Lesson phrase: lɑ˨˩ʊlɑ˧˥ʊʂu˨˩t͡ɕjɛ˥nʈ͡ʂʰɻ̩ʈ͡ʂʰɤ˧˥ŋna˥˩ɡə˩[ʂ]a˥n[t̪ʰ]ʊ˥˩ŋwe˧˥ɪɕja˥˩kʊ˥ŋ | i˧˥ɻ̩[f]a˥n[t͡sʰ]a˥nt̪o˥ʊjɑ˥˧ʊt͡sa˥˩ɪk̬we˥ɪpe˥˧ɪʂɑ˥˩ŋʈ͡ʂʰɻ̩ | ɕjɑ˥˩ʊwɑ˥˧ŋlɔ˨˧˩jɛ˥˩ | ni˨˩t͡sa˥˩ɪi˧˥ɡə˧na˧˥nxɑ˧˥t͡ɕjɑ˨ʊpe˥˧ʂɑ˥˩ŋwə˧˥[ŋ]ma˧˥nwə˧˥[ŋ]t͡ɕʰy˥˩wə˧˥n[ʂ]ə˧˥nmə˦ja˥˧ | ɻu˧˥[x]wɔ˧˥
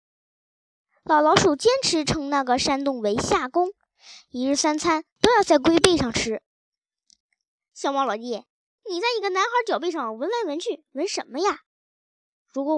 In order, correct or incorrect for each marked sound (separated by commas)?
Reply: correct, incorrect, incorrect, correct, incorrect, incorrect, correct, incorrect